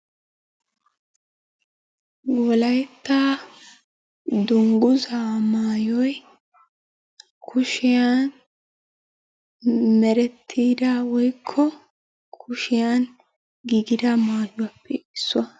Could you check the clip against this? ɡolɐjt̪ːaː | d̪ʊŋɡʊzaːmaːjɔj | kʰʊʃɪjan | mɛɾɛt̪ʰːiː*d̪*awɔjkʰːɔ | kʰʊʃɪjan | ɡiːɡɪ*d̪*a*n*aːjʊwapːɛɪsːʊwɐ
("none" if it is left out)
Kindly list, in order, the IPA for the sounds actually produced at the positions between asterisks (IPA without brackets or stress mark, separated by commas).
d̪, d̪, m